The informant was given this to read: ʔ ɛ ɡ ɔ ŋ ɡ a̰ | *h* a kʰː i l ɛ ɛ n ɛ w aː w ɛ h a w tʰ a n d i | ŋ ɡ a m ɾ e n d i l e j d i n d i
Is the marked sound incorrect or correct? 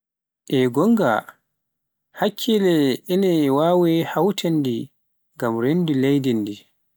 correct